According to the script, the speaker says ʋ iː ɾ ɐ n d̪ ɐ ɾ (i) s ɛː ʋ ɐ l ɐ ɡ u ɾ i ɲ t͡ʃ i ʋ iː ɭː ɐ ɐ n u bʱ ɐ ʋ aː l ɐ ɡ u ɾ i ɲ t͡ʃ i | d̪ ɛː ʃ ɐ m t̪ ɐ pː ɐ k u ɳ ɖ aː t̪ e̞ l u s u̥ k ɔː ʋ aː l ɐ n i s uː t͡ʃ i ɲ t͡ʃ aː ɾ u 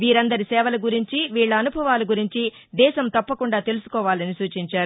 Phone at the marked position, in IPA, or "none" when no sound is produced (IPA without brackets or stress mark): i